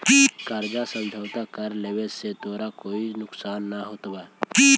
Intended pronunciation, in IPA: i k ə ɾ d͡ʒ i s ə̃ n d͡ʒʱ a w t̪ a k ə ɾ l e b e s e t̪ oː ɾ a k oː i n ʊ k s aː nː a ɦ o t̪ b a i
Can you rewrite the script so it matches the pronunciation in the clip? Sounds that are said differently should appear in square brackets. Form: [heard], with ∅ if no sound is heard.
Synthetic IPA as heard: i k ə ɾ d͡ʒ [a] s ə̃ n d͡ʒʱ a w t̪ a k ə ɾ l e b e s e t̪ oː ɾ a k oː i n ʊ k s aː nː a ɦ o t̪ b a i